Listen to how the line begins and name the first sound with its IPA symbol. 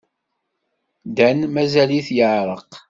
d̪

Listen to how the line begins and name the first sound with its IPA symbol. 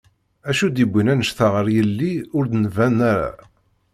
æ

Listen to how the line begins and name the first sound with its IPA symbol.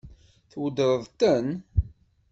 θ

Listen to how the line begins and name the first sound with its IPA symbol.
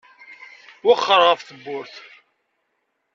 w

